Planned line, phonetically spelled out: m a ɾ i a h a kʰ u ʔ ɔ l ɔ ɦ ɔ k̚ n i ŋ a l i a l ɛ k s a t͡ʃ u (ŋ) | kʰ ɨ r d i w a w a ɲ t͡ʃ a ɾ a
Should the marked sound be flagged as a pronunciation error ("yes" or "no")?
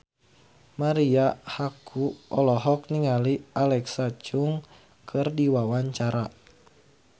no